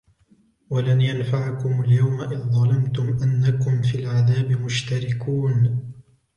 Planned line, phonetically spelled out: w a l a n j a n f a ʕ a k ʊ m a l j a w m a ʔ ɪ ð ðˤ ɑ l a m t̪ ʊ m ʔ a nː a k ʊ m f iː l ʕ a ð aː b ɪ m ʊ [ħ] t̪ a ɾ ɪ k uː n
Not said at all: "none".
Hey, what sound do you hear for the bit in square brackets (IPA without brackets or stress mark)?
ʃ